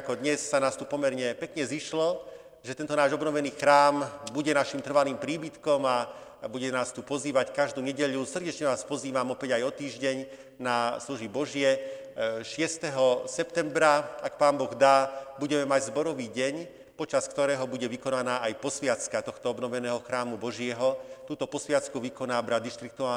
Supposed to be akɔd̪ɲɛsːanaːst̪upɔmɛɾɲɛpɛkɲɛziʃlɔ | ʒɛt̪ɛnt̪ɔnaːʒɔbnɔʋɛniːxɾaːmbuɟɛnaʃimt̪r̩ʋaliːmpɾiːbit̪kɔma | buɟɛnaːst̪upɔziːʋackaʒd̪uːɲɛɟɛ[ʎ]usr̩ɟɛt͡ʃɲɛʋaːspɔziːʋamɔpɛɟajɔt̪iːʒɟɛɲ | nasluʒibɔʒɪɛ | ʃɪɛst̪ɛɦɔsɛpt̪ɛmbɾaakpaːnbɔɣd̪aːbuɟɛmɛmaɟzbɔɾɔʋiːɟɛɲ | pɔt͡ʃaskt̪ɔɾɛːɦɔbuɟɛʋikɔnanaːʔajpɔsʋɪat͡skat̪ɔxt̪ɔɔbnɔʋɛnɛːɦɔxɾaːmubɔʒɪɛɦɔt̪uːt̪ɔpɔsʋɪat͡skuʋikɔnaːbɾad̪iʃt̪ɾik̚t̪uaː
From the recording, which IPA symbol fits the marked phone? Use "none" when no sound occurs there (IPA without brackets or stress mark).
ʎ